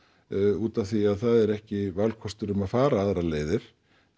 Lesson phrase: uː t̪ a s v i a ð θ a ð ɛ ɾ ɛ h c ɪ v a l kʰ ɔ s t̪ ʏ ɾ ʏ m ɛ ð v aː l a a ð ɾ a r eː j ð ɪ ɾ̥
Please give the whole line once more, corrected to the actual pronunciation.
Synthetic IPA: uː t̪ a θ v i a ð θ a ð ɛ ɾ ɛ h c ɪ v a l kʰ ɔ s t̪ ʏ ɾ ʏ m a ð f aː ɾ a a ð ɾ a l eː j ð ɪ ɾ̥